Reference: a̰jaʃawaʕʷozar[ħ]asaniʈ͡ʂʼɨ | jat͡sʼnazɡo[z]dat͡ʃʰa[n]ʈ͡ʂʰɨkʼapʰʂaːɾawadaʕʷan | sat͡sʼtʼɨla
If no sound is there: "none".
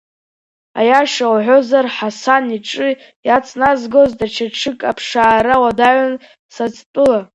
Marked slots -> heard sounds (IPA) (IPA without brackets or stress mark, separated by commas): ħ, z, none